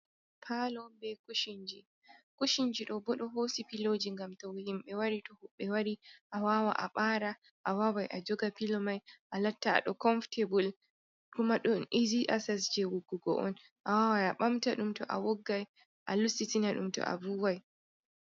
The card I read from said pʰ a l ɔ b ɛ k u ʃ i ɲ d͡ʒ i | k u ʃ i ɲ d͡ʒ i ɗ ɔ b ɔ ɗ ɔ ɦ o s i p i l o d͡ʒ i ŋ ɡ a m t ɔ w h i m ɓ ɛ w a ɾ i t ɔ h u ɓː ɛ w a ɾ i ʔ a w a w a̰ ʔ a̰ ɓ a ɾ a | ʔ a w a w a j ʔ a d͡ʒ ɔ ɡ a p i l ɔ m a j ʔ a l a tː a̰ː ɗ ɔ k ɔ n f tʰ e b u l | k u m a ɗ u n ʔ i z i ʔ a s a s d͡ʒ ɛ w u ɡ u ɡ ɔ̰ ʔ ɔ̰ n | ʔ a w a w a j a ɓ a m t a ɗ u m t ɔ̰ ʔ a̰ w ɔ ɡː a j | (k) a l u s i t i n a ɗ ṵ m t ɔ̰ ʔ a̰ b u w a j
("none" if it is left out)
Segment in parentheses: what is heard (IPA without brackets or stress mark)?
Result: ʔ